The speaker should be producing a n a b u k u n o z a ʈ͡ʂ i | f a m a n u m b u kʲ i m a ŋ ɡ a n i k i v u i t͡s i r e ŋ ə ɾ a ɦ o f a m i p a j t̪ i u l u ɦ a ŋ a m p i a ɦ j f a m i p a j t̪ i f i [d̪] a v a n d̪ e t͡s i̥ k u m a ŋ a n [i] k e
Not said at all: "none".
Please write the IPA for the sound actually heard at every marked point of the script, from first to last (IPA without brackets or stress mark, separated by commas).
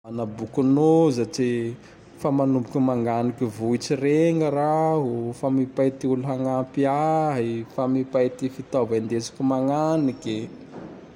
t̪, i